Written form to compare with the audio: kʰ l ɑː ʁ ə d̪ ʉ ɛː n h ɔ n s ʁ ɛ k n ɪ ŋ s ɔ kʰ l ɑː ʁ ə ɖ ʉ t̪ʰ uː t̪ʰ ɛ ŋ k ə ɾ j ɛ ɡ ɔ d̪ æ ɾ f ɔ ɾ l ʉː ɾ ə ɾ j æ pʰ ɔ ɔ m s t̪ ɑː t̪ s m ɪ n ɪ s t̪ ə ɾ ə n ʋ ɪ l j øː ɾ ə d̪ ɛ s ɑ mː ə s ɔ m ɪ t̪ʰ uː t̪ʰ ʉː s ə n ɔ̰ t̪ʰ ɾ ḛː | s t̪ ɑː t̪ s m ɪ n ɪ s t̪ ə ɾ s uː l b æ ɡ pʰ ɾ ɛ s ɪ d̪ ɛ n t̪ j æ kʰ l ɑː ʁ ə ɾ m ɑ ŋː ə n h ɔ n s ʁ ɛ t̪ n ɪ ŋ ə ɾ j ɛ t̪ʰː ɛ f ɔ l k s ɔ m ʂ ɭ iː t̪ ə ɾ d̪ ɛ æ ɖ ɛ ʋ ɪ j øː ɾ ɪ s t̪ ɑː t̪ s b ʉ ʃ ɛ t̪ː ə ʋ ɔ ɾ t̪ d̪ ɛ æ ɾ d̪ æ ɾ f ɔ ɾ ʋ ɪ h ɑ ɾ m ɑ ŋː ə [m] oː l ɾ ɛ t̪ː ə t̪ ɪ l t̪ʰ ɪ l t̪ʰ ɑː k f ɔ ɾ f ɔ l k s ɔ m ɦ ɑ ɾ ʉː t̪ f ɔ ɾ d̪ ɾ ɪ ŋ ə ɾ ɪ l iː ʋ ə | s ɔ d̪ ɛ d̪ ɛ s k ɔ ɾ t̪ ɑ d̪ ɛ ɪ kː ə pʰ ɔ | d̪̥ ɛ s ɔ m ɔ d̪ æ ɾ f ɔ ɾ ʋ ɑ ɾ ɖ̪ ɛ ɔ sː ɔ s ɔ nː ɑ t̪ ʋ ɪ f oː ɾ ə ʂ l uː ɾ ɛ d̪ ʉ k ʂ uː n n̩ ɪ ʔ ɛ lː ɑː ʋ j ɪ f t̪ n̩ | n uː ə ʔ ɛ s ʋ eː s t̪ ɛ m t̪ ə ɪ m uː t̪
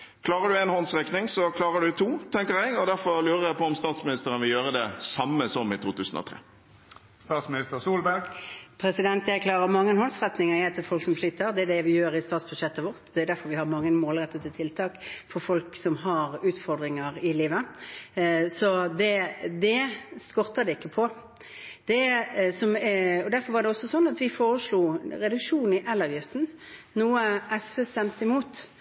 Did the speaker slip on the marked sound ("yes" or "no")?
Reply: no